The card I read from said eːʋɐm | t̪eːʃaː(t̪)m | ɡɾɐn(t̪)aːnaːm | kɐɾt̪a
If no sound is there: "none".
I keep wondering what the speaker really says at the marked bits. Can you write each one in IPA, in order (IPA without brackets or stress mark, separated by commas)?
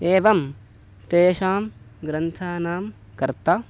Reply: none, t̪ʰ